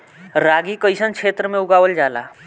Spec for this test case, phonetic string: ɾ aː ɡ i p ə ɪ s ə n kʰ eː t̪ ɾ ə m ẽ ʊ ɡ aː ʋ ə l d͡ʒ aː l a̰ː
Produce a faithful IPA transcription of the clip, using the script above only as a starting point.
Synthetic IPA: ɾ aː ɡ i k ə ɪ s ə n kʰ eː t̪ ɾ ə m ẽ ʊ ɡ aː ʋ ə l d͡ʒ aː l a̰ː

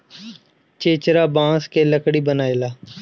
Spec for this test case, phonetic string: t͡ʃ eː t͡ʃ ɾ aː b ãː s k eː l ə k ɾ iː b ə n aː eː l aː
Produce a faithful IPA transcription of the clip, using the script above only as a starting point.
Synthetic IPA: t͡ʃ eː t͡ʃ ɾ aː b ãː s k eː l ə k ɽ iː b ə n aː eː l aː

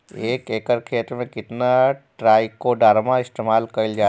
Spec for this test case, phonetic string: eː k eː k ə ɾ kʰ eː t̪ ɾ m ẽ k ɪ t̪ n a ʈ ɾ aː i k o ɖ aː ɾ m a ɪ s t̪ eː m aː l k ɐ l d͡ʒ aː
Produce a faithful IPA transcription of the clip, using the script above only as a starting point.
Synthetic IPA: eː k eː k ə ɾ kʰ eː t̪ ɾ m ẽ k ɪ t̪ n a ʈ ɾ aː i k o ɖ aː ɾ m a ɪ s t̪ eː m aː l k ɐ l d͡ʒ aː

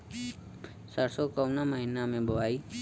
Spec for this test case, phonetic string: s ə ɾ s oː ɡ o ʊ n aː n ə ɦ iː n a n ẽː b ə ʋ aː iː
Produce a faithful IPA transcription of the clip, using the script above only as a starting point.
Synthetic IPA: s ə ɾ s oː k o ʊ n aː m ə ɦ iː n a m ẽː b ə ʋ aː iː

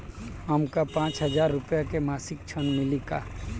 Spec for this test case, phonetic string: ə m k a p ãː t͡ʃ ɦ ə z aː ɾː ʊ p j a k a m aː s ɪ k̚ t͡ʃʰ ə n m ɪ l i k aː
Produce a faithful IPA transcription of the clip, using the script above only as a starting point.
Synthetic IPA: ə m k a p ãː t͡ʃ ɦ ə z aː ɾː ʊ p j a k e m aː s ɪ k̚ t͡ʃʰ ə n m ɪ l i k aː

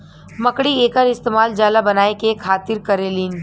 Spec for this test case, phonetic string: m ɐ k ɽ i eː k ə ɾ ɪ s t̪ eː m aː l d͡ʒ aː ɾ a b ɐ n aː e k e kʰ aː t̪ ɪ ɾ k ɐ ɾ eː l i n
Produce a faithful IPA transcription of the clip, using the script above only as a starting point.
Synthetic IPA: m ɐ k ɽ i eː k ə ɾ ɪ s t̪ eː m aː l d͡ʒ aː l a b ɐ n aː e k e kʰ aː t̪ ɪ ɾ k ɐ ɾ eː l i n

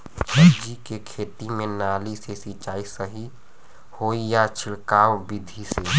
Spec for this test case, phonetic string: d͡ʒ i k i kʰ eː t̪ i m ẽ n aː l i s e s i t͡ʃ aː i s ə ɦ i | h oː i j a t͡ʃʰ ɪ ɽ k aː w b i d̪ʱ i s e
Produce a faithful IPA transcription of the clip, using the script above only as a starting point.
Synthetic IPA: d͡ʒ i k e kʰ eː t̪ i m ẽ n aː l i s e s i t͡ʃ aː i s ə ɦ i | h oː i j a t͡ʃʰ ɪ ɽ k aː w b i d̪ʱ i s e

